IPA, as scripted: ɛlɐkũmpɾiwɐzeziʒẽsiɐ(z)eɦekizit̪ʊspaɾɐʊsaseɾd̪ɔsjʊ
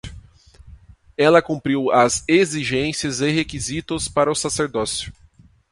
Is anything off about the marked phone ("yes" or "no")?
no